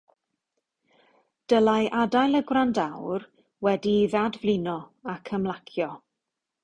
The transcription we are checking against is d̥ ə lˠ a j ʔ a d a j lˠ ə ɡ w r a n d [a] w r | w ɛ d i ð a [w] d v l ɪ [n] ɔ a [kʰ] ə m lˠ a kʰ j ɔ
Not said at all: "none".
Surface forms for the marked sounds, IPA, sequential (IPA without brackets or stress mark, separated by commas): a, none, n, kʰ